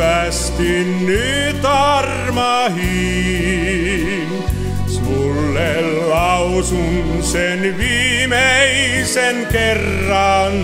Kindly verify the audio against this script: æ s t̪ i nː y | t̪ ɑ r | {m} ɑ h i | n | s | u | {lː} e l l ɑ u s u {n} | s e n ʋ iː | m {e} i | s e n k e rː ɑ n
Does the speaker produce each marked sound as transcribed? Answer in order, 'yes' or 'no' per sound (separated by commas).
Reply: yes, yes, yes, yes